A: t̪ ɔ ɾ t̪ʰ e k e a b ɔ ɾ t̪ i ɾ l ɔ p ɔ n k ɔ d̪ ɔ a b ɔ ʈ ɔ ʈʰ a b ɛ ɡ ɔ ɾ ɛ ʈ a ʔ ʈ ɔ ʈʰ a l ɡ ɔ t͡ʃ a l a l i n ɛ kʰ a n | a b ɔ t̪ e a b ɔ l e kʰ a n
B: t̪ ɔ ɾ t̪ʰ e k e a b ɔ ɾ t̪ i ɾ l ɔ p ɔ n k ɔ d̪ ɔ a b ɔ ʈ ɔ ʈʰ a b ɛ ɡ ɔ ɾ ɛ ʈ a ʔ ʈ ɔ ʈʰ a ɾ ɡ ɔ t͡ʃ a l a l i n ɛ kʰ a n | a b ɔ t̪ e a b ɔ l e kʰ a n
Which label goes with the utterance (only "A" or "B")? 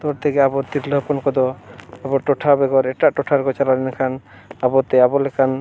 B